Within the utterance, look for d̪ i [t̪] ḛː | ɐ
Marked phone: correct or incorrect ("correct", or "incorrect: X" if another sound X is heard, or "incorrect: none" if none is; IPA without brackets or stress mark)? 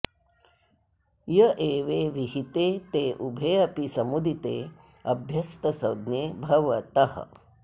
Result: correct